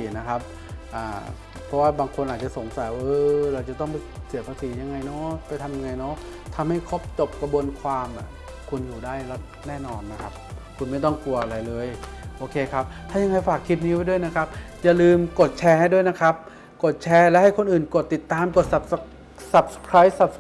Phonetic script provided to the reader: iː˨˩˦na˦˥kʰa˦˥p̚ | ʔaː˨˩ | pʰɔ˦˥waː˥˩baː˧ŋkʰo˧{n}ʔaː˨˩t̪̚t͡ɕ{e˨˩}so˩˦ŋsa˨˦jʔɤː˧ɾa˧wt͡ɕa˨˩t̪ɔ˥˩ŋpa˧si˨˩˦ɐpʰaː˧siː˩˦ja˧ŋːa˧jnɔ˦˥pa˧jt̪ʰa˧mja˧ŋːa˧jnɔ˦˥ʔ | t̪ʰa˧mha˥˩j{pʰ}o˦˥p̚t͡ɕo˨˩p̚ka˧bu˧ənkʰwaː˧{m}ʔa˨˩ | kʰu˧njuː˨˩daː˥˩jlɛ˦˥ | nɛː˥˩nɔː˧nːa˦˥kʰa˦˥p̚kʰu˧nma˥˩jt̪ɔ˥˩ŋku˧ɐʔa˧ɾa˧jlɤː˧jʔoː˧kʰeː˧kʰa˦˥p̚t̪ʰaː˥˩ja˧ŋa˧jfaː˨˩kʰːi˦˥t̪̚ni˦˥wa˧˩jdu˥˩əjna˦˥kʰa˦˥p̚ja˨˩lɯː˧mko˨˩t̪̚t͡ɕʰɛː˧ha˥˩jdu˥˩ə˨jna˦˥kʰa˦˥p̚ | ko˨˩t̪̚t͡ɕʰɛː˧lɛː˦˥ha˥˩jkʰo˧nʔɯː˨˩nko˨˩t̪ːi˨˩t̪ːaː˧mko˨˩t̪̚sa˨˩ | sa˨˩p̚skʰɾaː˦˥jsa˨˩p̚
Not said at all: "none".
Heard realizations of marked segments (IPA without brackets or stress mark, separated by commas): n, a˨˩, kʰ, m